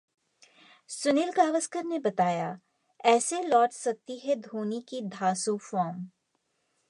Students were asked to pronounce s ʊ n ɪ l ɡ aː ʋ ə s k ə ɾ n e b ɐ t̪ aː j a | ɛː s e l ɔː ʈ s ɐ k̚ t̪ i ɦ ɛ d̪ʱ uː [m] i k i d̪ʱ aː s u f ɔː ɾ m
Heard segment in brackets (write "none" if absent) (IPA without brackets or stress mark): n